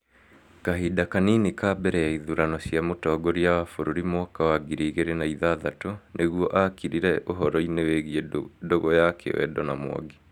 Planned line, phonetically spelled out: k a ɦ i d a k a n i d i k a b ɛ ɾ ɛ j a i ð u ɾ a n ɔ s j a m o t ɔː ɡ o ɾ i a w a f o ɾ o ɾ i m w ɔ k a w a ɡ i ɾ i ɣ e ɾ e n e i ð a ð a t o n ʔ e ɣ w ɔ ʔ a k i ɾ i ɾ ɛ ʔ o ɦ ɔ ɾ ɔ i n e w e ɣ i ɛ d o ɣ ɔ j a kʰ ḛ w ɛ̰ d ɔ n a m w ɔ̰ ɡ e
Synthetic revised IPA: k a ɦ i d a k a n i n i k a b ɛ ɾ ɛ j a i ð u ɾ a n ɔ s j a m o t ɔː ɡ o ɾ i a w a f o ɾ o ɾ i m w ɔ k a w a ɡ i ɾ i ɣ e ɾ e n a i ð a ð a t o n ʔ e ɣ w ɔ ʔ a k i ɾ i ɾ ɛ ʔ o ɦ ɔ ɾ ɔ i n e w e ɣ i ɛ d o ɣ ɔ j a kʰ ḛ w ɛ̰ d ɔ n a m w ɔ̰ ɡ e